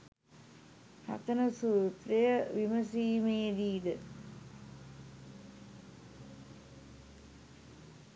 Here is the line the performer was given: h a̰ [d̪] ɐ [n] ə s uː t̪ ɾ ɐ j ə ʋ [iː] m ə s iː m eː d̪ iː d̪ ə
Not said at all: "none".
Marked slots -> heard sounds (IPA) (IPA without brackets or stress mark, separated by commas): t̪, n, i